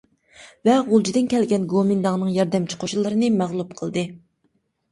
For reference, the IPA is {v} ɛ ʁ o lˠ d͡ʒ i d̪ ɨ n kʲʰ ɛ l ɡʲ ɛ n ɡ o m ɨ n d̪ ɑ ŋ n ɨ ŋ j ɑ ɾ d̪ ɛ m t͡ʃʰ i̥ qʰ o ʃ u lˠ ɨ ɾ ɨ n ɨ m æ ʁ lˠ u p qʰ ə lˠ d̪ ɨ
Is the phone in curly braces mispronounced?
no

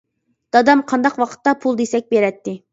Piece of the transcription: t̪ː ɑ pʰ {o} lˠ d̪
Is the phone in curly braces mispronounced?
yes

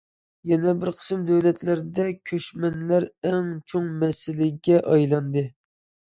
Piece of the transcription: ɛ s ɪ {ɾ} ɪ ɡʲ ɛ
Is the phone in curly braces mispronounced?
yes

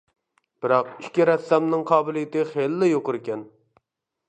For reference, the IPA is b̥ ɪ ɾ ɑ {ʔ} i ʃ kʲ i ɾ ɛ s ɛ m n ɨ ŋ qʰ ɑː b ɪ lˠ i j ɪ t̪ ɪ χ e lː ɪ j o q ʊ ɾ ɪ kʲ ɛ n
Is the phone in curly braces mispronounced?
yes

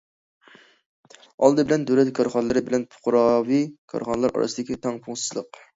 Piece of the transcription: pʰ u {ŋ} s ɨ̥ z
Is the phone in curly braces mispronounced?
no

